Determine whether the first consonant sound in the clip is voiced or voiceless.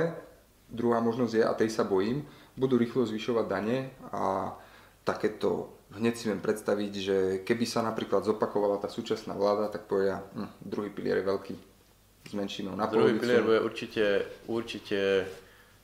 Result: voiced